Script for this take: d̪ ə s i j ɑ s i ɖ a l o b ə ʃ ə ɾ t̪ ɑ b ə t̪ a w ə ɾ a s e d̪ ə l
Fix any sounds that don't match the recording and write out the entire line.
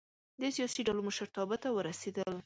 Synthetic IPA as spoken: d̪ ə s i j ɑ s i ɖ a l o m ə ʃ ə ɾ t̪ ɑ b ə t̪ a w ə ɾ a s e d̪ ə l